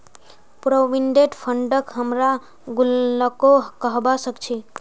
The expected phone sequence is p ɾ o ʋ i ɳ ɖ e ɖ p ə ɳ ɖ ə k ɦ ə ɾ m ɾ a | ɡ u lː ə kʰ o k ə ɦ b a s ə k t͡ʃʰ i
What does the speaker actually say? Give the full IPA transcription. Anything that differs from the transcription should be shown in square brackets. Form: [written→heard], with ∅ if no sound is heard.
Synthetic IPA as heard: p ɾ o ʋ i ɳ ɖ e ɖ [p→pʰ] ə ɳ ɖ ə k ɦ ə [ɾ→∅] m ɾ a | ɡ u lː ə [kʰ→k] o k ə ɦ b a s ə k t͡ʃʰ i

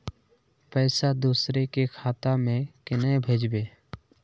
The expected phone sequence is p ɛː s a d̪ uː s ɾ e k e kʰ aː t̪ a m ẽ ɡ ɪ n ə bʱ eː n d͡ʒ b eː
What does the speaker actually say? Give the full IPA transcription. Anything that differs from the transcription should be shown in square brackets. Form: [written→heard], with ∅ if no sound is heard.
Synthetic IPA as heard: p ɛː s a d̪ uː s ɾ e k e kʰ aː t̪ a m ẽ [ɡ→k] ɪ n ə bʱ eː [n→∅] d͡ʒ b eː

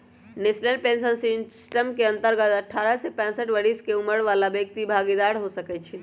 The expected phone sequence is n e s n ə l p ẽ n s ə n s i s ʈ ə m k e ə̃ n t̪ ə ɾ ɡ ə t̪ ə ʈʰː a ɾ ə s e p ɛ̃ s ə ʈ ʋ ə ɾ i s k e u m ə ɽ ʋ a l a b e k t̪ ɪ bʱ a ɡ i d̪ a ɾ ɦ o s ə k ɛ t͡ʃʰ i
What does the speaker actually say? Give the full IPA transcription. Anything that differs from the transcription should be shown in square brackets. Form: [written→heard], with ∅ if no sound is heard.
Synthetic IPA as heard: n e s n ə l p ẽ n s ə n s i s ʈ ə m k e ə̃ n t̪ ə ɾ ɡ ə t̪ ə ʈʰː a ɾ ə s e p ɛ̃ s ə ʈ ʋ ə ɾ i s k e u m ə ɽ ʋ a l a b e k t̪ [ɪ→i] bʱ a ɡ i d̪ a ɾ ɦ o s ə k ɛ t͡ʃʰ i

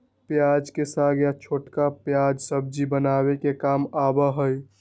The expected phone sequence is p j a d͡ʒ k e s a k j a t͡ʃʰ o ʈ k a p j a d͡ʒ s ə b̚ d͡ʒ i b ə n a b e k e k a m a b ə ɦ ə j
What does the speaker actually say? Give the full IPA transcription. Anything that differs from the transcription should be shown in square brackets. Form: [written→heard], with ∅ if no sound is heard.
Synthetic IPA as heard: p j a d͡ʒ k e s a [k→ɡ] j a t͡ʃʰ o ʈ k a p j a d͡ʒ s ə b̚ d͡ʒ i b ə n a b e k e k a m a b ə ɦ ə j

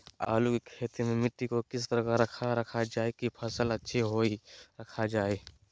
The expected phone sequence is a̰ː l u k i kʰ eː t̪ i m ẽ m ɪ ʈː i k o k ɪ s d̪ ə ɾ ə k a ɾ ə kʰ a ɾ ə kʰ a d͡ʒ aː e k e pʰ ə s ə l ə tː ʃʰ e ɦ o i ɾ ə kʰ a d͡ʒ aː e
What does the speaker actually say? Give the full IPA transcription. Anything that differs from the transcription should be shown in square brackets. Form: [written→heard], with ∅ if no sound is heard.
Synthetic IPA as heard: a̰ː l u k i kʰ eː t̪ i m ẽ m ɪ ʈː i k o k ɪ s [d̪→t̪] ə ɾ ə k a ɾ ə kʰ a ɾ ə kʰ a d͡ʒ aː e k [e→i] pʰ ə s ə l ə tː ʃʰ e ɦ o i ɾ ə kʰ a d͡ʒ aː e

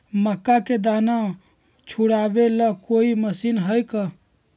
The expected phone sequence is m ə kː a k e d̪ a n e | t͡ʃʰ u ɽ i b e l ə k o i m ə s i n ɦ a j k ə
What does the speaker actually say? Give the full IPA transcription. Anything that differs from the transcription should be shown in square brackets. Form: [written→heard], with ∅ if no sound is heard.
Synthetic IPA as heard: m ə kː a k e d̪ a n [e→a] | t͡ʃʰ u ɽ [i→a] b e l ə k o i m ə s i n ɦ [a→ə] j k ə

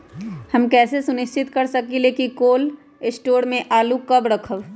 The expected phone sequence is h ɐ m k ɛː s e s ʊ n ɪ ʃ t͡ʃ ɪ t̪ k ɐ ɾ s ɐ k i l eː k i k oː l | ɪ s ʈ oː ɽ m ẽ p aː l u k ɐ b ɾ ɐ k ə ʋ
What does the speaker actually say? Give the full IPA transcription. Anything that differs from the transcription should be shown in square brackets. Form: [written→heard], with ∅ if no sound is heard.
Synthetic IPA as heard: h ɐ m k ɛː s e s ʊ n ɪ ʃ t͡ʃ ɪ t̪ k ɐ ɾ s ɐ k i l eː k i k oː l | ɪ s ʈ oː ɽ m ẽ [p→ʔ] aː l u k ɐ b ɾ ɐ [k→kʰ] ə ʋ

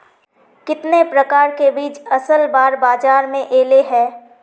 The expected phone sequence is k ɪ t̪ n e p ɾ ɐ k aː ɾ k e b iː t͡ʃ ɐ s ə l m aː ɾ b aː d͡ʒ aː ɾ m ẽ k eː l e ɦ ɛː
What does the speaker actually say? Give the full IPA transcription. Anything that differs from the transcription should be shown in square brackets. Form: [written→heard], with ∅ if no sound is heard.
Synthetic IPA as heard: k ɪ t̪ n e p ɾ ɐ k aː ɾ k e b iː t͡ʃ ɐ s ə l [m→b] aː ɾ b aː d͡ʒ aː ɾ m ẽ [k→ʔ] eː l e ɦ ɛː

